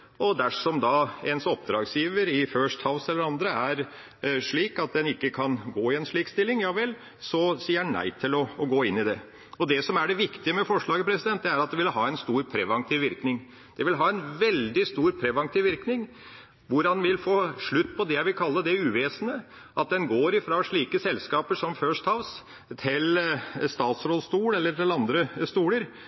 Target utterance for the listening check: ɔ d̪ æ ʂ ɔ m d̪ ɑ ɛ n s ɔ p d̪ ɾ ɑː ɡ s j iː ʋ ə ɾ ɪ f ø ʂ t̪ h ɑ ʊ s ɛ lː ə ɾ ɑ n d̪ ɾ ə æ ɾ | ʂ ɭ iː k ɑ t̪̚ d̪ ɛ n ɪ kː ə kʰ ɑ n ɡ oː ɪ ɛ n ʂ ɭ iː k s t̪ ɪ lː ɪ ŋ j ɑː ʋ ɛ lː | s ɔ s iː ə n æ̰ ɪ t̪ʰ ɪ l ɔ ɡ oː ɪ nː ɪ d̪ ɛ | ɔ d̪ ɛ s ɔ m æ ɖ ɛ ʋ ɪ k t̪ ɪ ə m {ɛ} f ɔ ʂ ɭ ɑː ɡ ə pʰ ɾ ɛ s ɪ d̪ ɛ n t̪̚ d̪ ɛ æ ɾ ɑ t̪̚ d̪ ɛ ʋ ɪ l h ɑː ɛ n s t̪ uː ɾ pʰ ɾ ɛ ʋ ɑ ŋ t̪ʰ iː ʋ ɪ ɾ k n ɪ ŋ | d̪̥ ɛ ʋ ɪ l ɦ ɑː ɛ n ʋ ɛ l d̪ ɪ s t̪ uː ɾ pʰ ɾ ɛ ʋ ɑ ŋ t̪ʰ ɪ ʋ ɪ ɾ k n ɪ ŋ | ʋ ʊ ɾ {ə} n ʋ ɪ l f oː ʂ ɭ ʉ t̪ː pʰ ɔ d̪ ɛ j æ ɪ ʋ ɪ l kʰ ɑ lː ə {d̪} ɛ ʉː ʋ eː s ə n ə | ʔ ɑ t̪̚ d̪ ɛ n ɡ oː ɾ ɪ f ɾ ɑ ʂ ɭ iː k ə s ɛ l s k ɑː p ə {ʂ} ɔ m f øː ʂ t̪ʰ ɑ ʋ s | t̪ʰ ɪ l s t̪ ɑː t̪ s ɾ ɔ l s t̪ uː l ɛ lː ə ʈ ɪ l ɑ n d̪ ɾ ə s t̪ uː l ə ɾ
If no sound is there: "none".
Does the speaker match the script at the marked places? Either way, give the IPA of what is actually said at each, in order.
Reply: ɛ, ɑ, d̪, ʂ

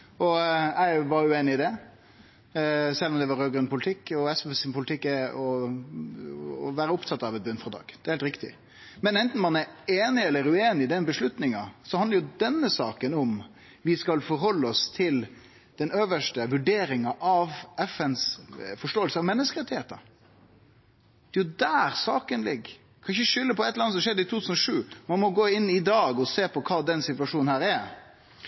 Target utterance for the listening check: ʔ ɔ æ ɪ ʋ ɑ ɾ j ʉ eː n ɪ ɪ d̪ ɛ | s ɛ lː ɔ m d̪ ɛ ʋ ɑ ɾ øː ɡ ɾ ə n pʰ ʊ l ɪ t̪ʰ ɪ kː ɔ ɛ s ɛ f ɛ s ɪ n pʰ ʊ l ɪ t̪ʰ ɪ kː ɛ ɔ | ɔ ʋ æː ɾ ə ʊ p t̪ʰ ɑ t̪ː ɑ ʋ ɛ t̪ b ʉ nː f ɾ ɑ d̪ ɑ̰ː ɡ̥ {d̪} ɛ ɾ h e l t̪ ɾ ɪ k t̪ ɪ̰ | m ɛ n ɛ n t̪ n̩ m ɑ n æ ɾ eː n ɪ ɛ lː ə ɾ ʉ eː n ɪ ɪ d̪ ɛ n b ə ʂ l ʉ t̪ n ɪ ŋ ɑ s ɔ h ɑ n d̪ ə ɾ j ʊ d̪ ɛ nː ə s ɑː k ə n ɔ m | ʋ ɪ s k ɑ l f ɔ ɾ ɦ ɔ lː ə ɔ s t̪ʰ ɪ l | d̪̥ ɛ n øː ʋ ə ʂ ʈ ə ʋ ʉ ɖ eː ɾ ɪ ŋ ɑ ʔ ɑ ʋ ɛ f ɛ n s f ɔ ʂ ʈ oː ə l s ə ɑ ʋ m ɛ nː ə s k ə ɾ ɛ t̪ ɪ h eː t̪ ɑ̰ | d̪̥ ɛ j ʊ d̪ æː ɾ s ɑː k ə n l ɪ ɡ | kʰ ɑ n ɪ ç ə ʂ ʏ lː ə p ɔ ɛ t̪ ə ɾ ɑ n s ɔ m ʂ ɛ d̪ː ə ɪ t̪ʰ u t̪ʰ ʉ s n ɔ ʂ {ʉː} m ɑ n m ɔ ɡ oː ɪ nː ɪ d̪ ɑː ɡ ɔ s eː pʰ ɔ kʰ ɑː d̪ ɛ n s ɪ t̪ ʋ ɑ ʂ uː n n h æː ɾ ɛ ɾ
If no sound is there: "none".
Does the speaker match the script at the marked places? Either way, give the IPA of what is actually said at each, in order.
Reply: d̪, ʉː

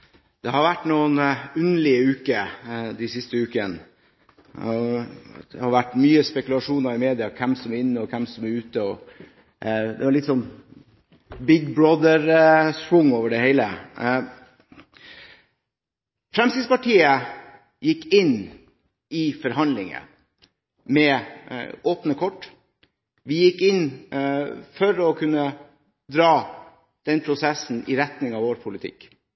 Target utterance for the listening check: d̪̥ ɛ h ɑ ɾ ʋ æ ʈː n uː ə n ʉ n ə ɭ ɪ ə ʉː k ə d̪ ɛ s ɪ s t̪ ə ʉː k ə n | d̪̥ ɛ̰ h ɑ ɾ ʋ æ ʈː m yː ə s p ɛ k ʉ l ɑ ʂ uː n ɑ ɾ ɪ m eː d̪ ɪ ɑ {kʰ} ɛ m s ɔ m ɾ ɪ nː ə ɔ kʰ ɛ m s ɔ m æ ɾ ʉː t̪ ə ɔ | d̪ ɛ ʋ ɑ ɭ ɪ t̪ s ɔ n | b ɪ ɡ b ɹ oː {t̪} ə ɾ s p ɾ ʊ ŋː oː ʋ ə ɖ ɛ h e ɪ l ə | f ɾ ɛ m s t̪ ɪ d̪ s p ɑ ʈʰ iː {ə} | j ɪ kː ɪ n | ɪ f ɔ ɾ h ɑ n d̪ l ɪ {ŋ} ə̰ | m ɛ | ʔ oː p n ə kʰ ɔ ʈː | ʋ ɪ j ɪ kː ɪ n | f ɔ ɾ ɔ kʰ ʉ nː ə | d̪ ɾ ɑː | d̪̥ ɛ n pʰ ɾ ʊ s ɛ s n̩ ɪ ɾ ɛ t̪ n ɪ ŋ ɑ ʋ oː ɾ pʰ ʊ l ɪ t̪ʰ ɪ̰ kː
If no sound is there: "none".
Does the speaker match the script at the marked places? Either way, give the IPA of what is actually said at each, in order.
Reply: kʰ, d̪, ə, ŋ

